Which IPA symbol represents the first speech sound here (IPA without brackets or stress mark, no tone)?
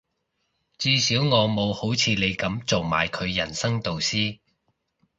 t͡s